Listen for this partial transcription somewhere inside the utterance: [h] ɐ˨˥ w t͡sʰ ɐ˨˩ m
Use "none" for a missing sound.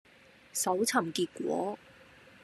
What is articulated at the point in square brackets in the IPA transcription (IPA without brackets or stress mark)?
s